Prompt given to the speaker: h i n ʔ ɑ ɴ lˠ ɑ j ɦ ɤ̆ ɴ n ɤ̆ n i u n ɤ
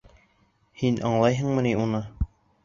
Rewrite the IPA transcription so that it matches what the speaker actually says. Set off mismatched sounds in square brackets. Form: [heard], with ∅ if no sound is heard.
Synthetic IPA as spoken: h i n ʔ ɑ ɴ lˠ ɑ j ɦ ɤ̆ ɴ [m] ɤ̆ n i u n ɤ